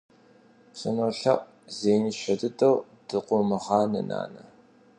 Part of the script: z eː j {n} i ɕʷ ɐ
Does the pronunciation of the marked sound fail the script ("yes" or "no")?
no